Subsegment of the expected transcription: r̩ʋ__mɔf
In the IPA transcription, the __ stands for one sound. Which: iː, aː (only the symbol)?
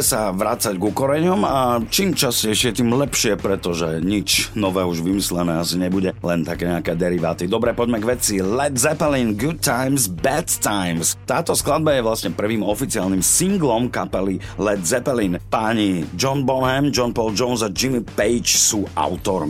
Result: iː